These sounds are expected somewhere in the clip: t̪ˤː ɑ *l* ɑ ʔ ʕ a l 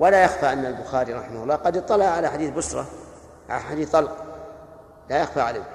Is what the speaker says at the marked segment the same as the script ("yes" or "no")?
yes